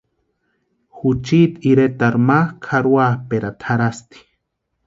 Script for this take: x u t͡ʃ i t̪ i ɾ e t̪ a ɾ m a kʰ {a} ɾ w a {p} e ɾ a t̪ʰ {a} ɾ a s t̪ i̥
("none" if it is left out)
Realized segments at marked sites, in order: a, p, a

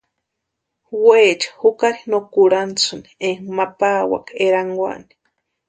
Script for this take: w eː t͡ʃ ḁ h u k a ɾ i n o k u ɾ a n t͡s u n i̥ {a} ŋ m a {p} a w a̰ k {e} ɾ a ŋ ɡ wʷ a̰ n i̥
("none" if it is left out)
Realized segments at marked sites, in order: e, p, e

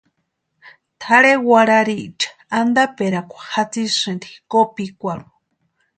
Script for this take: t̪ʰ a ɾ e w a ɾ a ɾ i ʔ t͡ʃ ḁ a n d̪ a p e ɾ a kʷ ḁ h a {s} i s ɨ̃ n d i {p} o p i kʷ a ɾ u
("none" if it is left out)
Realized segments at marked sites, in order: t͡s, k

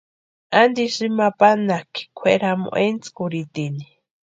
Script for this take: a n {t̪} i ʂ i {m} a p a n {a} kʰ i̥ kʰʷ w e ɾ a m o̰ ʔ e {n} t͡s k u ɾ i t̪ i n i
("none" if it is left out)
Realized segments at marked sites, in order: d̪, m, a, n

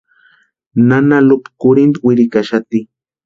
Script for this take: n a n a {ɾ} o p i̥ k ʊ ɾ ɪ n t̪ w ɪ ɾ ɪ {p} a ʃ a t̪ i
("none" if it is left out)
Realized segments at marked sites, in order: l, k

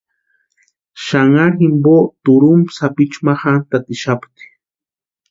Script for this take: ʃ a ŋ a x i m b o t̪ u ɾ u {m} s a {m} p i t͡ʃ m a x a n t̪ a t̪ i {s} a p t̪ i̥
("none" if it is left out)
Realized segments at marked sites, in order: m, none, ʃ

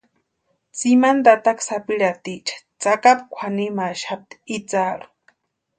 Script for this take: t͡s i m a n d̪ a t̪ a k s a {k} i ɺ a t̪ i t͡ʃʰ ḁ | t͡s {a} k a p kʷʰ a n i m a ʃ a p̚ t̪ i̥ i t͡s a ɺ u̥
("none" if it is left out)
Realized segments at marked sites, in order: p, a

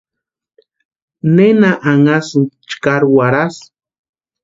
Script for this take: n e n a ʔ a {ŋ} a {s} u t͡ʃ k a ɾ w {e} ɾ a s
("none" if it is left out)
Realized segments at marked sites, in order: ŋ, s, a

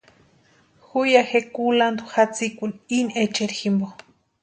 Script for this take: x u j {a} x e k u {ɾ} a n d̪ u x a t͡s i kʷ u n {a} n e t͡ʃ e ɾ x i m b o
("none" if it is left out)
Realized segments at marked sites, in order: a, l, i

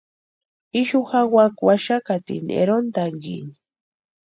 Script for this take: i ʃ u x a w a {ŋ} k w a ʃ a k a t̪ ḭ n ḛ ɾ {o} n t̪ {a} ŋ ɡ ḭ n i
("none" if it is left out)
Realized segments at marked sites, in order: none, o, a

